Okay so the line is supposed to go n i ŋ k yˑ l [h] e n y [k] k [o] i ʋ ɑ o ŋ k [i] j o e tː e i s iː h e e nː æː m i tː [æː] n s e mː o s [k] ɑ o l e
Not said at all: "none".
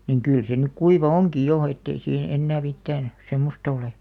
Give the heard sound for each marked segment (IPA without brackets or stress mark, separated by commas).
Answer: s, k, u, i, æː, t